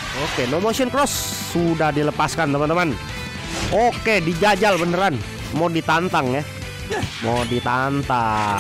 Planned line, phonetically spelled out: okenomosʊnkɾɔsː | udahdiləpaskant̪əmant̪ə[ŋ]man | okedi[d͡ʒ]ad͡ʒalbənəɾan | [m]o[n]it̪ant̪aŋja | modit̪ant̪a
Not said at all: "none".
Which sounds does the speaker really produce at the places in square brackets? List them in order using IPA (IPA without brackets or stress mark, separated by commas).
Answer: none, d͡ʒ, m, d